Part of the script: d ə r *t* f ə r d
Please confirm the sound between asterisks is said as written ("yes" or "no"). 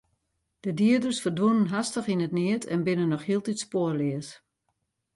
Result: no